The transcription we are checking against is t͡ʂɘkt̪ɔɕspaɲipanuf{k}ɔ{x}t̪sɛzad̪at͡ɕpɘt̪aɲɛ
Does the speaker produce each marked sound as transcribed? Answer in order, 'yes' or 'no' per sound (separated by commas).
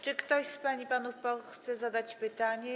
no, yes